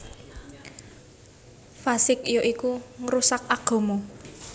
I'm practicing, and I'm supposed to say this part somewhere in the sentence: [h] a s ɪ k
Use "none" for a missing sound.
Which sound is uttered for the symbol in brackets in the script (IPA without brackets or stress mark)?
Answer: f